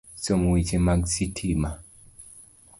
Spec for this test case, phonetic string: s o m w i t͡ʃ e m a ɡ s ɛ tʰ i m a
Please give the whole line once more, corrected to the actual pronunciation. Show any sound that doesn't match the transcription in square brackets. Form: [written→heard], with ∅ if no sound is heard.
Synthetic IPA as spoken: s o m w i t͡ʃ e m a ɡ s [ɛ→i] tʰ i m a